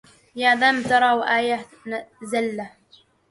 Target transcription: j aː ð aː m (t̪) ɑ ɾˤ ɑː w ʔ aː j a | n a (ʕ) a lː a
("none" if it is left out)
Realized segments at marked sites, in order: t̪, z

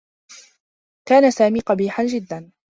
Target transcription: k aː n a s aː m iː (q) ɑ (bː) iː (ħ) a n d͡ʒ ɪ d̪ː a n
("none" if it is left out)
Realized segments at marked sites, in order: q, b, ħ

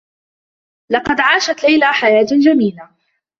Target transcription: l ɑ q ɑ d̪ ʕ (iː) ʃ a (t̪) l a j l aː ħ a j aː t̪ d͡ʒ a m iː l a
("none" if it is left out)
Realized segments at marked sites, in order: aː, t̪

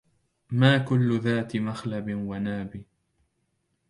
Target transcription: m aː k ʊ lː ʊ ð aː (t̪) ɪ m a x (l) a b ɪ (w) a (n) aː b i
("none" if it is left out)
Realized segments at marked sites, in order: t̪, l, w, n

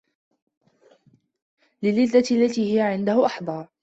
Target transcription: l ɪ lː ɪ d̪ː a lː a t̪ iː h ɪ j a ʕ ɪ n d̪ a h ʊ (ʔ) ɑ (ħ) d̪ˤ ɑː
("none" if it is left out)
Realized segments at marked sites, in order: ʔ, ħ

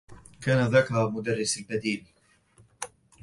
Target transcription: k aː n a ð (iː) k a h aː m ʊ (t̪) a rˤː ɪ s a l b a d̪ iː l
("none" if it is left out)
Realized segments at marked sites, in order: aː, d̪

